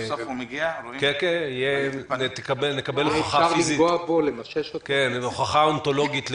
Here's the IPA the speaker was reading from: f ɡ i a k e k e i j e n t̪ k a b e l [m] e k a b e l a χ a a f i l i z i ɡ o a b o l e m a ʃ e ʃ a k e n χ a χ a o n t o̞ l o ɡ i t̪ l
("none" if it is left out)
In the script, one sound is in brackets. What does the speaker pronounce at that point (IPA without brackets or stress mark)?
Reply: n